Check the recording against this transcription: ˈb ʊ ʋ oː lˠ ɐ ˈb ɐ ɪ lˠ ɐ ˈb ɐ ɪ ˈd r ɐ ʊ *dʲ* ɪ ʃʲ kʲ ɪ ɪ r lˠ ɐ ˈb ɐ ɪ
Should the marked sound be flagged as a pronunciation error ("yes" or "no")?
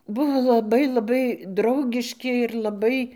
yes